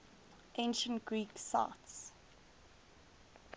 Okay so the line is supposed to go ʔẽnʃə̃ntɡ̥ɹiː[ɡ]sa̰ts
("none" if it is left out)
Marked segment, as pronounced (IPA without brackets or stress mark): k